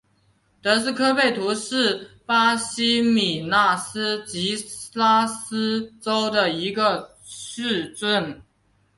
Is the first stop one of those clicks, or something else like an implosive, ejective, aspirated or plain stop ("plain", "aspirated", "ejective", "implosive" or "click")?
plain